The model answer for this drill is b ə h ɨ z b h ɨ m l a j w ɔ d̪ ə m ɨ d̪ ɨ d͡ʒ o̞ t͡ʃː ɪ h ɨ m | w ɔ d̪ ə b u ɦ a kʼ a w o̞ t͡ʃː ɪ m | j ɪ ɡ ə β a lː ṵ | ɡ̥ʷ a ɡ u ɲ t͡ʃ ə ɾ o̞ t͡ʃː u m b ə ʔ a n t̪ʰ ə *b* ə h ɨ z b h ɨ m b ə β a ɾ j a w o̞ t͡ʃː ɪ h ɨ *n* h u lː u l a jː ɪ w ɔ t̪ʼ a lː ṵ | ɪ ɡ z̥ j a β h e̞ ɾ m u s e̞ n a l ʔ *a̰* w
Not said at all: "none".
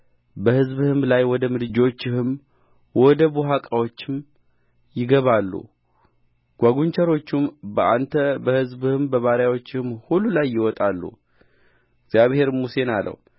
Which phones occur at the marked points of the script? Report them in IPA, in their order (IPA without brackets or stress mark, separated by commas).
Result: b, m, ə̰